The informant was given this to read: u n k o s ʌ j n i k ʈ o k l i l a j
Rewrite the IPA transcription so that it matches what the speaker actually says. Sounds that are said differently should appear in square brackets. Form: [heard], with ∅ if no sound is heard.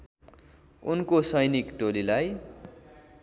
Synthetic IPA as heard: u n k o s ʌ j n i k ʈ o [∅] l i l a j